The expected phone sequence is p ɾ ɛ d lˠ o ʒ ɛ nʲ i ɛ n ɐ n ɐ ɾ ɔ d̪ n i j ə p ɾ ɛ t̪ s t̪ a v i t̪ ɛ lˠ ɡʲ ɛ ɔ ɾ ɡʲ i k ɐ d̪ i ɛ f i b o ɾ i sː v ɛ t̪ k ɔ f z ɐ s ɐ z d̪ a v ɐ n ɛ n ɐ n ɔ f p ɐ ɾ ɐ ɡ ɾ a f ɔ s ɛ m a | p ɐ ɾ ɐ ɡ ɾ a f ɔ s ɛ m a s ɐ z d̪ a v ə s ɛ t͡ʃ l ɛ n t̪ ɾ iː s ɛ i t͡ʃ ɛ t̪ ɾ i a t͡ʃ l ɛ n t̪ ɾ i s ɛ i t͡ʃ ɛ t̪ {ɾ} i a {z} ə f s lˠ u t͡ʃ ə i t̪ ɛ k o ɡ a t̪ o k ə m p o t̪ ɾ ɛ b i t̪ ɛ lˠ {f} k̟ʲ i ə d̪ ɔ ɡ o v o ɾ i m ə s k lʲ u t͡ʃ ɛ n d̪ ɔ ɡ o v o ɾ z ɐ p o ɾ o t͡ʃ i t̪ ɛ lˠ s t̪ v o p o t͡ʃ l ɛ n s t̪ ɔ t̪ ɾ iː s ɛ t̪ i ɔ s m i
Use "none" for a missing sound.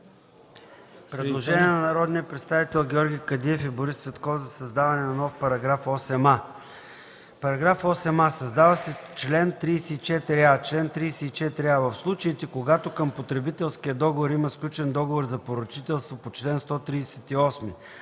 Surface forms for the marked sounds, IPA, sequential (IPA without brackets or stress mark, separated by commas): ɾ, v, s